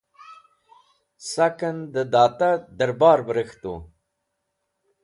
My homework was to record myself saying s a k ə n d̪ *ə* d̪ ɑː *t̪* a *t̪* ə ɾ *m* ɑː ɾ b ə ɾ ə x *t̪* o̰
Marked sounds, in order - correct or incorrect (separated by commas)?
correct, correct, incorrect, incorrect, correct